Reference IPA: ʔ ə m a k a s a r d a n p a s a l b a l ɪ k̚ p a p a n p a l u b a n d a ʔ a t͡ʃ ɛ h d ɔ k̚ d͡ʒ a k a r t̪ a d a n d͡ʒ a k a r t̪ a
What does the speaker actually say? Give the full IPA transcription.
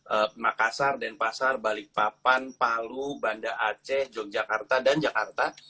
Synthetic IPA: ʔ ə m a k a s a r d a n p a s a r b a l ɪ k̚ p a p a n p a l u b a n d a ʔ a t͡ʃ ɛ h d͡ʒ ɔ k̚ d͡ʒ a k a r t̪ a d a n d͡ʒ a k a r t̪ a